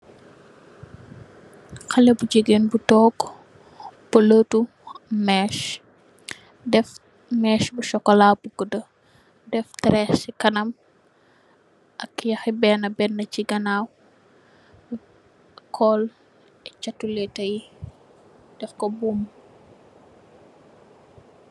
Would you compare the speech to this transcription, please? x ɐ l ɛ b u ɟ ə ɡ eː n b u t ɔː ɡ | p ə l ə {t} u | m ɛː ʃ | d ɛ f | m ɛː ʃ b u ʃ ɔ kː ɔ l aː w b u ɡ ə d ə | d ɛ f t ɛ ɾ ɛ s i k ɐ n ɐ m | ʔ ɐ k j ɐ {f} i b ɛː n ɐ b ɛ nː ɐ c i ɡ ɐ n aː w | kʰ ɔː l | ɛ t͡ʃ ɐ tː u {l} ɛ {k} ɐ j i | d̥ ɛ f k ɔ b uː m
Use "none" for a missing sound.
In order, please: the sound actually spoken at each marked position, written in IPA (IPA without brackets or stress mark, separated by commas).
t, x, l, t